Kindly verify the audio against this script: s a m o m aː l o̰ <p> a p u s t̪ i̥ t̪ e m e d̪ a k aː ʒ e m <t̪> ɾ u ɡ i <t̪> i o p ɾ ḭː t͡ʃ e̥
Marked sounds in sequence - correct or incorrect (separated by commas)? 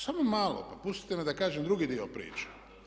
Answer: correct, incorrect, incorrect